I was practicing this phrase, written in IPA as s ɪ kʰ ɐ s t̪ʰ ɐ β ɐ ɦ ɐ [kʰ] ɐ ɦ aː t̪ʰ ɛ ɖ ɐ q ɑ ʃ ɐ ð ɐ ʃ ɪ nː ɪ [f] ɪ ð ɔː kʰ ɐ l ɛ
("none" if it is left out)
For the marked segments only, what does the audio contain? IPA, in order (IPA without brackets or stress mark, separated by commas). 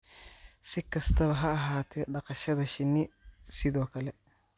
none, s